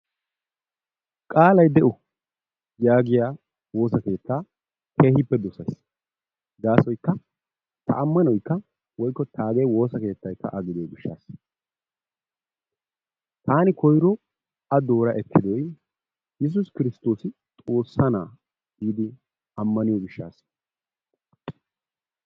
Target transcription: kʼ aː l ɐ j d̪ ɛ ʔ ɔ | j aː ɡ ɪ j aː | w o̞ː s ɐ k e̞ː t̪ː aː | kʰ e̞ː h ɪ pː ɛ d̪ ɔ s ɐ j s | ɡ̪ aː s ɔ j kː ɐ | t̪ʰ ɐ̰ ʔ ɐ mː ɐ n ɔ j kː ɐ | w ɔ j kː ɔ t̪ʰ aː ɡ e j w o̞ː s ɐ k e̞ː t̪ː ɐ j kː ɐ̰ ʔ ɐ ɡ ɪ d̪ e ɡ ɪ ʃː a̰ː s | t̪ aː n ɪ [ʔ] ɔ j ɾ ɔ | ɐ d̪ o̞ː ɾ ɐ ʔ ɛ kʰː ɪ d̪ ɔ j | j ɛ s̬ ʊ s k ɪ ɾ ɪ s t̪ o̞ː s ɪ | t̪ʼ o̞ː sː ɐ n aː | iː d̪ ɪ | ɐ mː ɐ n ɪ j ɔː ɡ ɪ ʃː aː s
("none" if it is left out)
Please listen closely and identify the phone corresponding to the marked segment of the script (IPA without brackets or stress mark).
k